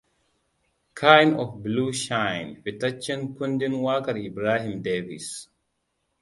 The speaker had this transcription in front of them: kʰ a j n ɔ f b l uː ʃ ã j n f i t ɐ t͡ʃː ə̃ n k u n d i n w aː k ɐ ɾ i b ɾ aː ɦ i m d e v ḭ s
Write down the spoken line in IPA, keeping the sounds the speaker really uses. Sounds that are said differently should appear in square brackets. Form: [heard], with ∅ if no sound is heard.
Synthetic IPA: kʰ a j n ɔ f b l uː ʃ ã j n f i t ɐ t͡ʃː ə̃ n k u n d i n w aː k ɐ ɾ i b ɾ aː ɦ i m d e v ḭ s